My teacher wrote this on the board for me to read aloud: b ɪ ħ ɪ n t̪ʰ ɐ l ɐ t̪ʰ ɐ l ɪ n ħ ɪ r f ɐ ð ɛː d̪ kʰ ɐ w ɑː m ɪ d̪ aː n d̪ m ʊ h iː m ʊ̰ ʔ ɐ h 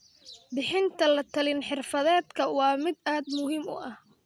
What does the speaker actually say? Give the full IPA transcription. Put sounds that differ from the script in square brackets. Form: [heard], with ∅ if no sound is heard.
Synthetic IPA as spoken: b ɪ ħ ɪ n t̪ʰ ɐ l ɐ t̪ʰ ɐ l ɪ n ħ ɪ r f ɐ ð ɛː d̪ kʰ ɐ w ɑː m ɪ d̪ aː [∅] d̪ m ʊ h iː m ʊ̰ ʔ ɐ h